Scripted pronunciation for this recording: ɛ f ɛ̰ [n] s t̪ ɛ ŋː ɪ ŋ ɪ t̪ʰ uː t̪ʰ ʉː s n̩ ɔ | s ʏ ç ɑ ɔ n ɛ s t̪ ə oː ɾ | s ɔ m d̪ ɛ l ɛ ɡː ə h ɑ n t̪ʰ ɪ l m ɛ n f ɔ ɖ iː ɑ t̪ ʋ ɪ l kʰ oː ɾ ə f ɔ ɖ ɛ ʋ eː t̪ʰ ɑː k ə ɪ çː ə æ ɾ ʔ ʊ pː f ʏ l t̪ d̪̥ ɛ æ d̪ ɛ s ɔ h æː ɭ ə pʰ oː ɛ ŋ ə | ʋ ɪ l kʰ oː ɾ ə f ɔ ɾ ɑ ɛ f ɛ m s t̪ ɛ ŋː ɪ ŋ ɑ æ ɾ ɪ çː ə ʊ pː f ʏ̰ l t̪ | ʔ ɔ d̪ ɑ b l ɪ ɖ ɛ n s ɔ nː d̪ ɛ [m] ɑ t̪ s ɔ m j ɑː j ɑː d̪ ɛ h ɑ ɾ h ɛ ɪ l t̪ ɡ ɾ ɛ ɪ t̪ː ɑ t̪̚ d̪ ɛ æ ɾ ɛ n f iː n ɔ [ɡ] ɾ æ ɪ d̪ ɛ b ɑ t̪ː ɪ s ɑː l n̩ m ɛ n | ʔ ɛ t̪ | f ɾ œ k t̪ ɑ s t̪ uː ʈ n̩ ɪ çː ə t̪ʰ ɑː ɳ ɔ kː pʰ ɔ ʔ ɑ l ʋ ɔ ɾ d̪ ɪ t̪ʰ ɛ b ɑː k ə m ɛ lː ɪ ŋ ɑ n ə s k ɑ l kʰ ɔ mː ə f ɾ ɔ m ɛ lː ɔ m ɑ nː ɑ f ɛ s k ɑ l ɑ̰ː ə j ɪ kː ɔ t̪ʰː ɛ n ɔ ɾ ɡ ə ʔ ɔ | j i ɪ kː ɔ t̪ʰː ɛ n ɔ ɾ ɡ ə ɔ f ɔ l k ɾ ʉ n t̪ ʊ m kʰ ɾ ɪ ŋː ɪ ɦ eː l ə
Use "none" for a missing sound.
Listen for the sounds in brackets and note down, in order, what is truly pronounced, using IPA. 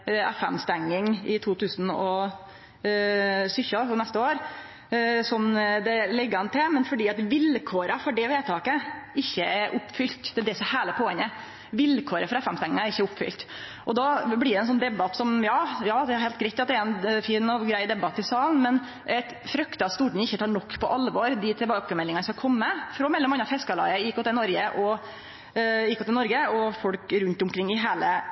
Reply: m, b, ɡ

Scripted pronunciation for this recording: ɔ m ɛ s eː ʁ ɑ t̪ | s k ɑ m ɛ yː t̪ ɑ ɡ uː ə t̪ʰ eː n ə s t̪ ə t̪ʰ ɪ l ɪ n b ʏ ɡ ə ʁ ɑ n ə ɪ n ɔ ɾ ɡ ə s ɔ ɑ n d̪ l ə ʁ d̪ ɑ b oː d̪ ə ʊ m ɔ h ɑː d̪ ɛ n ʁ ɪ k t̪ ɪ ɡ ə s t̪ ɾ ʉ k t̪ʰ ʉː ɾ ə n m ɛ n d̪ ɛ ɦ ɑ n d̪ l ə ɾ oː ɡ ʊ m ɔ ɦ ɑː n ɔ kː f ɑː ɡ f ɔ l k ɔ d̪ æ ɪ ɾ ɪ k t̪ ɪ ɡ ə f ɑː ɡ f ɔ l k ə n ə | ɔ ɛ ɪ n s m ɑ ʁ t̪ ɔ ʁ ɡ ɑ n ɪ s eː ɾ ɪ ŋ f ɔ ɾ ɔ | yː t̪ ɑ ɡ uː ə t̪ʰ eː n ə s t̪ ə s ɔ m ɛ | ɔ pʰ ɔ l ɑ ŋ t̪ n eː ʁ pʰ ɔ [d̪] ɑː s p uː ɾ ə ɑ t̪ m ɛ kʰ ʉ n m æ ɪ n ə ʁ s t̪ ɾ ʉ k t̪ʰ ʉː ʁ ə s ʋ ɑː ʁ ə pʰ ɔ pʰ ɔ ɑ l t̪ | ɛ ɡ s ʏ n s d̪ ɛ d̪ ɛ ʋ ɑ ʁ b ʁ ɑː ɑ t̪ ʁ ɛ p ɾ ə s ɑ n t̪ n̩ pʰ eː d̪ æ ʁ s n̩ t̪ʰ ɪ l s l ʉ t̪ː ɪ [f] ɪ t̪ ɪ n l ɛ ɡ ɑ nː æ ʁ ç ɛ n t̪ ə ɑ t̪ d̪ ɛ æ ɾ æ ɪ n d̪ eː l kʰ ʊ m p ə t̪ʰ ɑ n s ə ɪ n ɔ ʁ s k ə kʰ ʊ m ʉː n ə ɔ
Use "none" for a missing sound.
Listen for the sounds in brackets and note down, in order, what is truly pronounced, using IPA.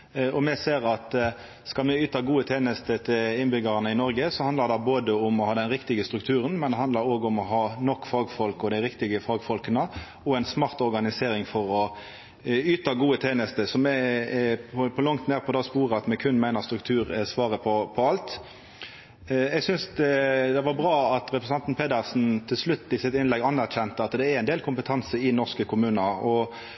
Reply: d̪, s

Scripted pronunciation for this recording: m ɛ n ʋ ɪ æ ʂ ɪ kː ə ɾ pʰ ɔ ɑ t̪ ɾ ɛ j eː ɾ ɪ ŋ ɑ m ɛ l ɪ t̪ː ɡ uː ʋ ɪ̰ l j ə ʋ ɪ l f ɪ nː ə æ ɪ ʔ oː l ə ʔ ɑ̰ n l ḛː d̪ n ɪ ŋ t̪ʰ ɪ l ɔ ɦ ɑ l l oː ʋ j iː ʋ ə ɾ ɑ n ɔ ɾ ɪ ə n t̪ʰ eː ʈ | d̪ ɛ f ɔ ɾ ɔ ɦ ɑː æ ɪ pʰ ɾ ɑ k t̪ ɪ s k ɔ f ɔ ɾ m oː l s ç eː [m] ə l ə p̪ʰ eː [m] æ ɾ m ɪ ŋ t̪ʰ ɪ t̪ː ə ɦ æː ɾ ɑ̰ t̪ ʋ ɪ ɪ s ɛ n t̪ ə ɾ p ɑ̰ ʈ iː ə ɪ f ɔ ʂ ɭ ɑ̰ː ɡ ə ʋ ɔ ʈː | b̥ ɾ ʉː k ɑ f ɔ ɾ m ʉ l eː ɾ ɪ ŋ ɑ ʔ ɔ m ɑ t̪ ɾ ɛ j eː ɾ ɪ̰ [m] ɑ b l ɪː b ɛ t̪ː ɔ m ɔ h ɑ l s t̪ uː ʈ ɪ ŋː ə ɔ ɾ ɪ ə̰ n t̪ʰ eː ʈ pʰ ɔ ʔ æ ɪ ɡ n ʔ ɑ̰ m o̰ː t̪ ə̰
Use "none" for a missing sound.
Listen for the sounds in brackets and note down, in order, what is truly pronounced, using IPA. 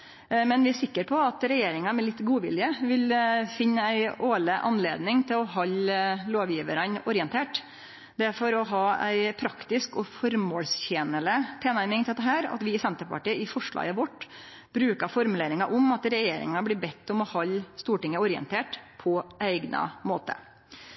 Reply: n, n, ŋ

